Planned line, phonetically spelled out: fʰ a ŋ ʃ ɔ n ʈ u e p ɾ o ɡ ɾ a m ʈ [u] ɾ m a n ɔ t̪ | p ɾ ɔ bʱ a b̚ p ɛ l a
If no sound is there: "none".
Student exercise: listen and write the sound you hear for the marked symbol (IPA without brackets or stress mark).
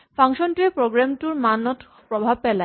u